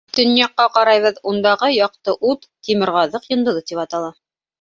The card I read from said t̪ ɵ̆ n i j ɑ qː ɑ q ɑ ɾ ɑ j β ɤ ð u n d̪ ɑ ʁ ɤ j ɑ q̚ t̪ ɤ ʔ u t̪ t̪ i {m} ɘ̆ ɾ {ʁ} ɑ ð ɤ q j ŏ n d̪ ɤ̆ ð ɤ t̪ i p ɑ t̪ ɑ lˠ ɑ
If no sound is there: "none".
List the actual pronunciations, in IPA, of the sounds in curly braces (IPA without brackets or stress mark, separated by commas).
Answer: m, ʁ